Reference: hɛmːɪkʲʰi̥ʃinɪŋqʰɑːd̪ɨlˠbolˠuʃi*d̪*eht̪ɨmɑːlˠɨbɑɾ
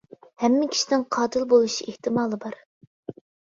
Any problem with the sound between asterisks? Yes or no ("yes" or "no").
yes